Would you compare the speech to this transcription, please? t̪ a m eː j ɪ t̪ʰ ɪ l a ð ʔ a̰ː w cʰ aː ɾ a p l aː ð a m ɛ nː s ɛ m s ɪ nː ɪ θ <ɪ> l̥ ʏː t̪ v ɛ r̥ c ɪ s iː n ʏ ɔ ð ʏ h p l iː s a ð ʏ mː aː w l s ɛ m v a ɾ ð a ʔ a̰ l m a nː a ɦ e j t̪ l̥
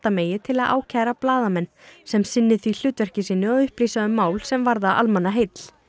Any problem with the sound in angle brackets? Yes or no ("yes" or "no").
yes